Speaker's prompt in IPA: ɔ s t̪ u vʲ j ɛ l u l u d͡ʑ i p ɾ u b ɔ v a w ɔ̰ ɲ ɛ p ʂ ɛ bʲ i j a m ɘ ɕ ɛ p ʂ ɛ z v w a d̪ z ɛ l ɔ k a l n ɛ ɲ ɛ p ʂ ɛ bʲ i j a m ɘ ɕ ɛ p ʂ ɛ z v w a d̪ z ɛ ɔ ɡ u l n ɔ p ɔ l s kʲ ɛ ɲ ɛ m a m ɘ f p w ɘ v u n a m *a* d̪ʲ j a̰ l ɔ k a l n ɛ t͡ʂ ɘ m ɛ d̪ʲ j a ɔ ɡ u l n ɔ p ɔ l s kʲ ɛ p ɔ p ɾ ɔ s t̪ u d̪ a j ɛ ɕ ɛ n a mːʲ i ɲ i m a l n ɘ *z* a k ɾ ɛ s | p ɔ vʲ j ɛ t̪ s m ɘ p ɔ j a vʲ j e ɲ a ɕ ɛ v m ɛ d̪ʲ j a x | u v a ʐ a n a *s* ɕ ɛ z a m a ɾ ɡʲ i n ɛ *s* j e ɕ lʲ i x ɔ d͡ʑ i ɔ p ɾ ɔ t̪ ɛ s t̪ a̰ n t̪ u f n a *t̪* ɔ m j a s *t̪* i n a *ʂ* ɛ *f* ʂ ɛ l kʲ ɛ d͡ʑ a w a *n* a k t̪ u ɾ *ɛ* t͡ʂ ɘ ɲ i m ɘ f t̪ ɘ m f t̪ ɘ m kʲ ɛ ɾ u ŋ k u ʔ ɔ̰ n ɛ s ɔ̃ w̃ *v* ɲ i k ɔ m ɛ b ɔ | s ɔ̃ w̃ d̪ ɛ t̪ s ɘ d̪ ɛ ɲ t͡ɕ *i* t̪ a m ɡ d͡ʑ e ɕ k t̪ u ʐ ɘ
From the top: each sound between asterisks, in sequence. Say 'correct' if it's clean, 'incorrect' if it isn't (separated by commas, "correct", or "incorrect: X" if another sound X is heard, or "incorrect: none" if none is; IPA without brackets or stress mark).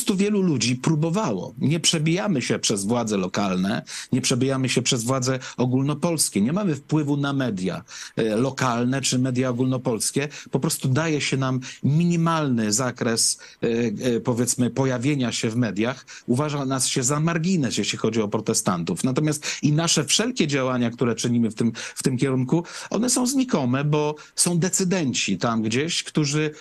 incorrect: ɛ, correct, correct, correct, correct, correct, correct, correct, incorrect: ɲ, correct, incorrect: z, correct